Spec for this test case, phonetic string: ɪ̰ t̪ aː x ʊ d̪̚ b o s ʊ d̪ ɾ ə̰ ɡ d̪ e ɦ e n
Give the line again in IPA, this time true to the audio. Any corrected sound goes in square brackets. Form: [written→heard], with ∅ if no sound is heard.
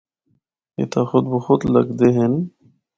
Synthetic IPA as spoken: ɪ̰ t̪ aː x ʊ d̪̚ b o [s→x] ʊ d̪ [ɾ→l] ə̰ ɡ d̪ e ɦ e n